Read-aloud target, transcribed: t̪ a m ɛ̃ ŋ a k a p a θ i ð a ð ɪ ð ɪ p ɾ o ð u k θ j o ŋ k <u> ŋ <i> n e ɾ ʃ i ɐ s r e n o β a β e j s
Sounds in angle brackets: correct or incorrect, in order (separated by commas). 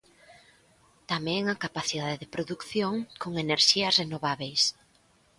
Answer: incorrect, incorrect